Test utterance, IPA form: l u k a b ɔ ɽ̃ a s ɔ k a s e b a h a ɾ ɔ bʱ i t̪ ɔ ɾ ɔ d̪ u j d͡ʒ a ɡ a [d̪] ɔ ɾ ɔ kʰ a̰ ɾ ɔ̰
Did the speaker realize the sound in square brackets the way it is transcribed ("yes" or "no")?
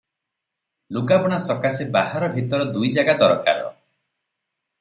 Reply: yes